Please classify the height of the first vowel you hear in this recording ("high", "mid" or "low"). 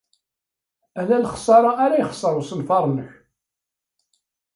low